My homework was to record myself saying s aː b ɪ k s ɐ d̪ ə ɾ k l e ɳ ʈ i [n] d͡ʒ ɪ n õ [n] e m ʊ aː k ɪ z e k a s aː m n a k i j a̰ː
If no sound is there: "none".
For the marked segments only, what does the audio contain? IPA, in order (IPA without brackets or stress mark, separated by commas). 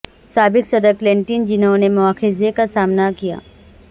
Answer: n, n